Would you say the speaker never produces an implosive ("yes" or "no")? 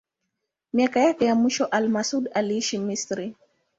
yes